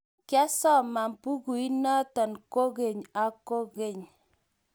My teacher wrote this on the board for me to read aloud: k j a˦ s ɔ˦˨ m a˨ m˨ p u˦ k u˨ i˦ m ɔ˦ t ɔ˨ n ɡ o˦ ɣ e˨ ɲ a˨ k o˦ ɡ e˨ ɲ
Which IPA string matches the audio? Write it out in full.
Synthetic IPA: k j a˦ s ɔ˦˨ m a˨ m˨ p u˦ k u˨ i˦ n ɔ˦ t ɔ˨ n k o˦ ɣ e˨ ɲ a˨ k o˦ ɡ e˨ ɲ